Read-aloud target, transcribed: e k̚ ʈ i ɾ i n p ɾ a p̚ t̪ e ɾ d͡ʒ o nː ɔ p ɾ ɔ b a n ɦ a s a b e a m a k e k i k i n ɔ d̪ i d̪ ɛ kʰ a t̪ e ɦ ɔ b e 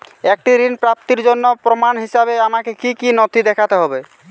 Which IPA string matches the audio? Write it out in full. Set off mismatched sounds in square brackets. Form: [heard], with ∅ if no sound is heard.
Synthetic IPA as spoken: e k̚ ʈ i ɾ i n p ɾ a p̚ t̪ [i] ɾ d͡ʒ o nː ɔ p ɾ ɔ [m] a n ɦ [i] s a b e a m a k e k i k i n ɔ [t̪] i d̪ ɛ kʰ a t̪ e ɦ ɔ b e